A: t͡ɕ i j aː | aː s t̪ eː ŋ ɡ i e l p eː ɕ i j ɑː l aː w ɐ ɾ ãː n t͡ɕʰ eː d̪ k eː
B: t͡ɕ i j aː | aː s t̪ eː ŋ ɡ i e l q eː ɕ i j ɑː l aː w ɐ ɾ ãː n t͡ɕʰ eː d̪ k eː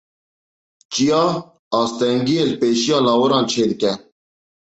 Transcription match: A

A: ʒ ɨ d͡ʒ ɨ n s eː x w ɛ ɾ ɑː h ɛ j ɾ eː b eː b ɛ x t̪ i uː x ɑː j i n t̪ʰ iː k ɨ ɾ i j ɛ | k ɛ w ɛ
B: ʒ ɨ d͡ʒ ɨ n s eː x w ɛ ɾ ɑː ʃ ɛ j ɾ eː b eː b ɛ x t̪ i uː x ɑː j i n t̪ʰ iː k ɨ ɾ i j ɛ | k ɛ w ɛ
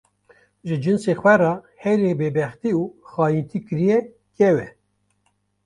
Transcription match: A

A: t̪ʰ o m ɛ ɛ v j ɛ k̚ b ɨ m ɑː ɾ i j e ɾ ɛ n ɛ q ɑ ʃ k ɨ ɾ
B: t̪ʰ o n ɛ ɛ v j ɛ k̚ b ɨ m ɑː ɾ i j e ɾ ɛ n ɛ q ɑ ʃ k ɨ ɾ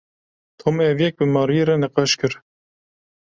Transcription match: A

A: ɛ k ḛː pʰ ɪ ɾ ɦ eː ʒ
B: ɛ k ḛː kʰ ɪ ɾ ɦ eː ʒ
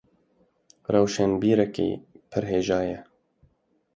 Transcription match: A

